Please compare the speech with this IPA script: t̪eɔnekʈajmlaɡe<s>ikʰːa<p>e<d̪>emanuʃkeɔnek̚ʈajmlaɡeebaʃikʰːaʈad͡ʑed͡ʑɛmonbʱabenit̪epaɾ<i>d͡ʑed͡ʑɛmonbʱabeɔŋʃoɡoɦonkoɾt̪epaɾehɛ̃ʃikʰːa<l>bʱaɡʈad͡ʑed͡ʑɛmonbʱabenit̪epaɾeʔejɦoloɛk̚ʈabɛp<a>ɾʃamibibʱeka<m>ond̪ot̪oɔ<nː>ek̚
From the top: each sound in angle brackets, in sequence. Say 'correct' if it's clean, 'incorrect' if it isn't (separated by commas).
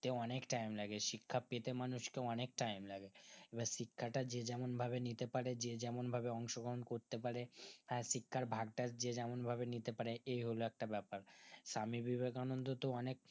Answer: incorrect, correct, incorrect, incorrect, incorrect, correct, incorrect, incorrect